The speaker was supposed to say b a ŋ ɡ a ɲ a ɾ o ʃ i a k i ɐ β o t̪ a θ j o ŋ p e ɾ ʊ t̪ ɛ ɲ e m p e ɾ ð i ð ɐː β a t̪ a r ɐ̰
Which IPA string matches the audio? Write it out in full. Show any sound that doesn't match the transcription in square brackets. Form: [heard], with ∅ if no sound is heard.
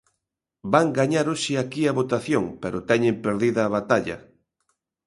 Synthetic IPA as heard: b a ŋ ɡ a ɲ a ɾ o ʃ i a k i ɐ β o t̪ a θ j o ŋ p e ɾ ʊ t̪ ɛ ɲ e m p e ɾ ð i ð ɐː β a t̪ a [ʎ] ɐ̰